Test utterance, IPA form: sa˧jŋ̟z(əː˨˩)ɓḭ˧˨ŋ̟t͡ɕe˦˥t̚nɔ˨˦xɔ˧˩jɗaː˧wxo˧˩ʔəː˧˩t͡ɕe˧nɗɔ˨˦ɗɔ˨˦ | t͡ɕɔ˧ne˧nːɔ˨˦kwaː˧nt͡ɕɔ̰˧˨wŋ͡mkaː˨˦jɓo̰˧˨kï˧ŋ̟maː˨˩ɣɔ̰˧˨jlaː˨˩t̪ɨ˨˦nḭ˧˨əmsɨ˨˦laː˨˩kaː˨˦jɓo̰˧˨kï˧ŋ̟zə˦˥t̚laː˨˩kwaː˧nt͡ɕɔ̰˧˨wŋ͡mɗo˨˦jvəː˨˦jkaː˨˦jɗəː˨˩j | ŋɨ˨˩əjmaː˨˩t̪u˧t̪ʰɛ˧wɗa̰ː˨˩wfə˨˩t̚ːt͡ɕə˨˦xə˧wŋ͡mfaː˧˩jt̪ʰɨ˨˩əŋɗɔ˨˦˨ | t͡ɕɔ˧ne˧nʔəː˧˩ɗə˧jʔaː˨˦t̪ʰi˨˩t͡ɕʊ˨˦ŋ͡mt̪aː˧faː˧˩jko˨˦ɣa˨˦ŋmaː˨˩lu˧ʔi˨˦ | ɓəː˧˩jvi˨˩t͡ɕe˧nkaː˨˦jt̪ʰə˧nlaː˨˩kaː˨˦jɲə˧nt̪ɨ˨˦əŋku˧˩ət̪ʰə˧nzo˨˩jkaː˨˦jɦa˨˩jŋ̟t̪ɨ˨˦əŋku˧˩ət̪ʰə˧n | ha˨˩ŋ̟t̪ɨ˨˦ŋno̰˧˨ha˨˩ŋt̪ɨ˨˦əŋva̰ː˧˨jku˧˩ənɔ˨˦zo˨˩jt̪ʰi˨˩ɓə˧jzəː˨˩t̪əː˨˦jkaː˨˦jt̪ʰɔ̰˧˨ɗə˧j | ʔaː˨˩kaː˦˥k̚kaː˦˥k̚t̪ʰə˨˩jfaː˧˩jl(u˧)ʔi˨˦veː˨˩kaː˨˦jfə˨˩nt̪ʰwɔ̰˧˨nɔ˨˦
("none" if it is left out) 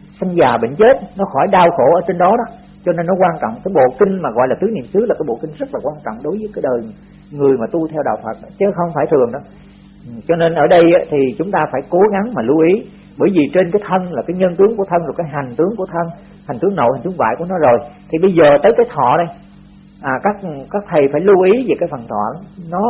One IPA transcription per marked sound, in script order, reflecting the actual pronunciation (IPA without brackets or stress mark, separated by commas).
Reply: aː˨˩, u˧